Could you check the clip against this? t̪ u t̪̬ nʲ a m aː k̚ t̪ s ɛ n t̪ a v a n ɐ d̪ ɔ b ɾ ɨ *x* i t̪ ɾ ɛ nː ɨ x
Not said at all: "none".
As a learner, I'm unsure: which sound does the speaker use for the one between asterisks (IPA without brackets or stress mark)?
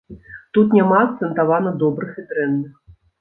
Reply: x